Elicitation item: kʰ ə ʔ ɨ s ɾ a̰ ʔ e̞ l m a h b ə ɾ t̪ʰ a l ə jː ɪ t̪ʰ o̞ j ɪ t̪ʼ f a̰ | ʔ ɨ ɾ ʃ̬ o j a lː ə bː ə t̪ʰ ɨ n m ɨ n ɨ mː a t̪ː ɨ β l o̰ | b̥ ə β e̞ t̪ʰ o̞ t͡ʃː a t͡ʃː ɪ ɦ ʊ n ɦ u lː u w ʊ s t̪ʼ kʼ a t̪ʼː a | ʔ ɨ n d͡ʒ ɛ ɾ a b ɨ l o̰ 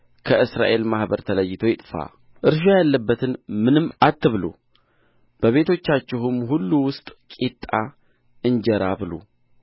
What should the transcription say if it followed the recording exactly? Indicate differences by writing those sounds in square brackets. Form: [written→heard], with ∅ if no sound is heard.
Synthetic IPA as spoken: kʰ ə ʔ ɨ s ɾ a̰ ʔ e̞ l m a h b ə ɾ t̪ʰ [a→ə] l ə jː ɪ t̪ʰ o̞ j ɪ t̪ʼ f a̰ | ʔ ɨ ɾ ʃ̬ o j a lː ə bː ə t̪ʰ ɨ n m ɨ n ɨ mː a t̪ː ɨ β l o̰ | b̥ ə β e̞ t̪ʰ o̞ t͡ʃː a t͡ʃː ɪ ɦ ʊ [n→m] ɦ u lː u w ʊ s t̪ʼ kʼ [a→i] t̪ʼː a | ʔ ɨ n d͡ʒ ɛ ɾ a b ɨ l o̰